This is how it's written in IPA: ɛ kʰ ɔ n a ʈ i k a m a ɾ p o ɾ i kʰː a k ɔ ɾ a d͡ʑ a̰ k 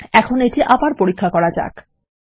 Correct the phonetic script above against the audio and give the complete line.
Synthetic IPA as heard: ɛ kʰ o n e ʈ i ʔ a b a ɾ p o ɾ i kʰː a k ɔ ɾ a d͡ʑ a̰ k